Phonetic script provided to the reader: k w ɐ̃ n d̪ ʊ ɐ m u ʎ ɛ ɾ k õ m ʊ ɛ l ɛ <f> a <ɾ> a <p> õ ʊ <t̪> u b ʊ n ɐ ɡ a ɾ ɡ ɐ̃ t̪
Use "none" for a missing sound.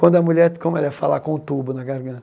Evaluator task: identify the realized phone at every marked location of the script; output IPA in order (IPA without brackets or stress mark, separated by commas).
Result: f, l, k, t̪